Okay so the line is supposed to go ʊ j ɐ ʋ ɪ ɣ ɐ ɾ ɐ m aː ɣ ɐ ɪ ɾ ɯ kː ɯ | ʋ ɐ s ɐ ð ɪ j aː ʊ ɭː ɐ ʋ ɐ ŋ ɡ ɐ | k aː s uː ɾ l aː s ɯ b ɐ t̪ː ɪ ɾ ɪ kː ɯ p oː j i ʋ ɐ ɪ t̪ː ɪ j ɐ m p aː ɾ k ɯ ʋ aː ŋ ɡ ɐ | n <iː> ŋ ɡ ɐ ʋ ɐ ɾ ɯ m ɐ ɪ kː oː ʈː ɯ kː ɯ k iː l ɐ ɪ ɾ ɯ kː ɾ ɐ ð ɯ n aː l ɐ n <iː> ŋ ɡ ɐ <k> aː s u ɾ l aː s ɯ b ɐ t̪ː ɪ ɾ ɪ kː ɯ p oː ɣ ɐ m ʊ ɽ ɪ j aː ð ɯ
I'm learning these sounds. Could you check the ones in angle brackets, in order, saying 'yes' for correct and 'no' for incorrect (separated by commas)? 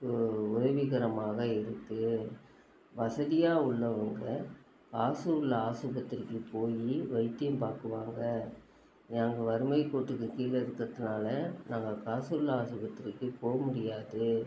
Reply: no, no, yes